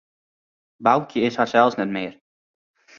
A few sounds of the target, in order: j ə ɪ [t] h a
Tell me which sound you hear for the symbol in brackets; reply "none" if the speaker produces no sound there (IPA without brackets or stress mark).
s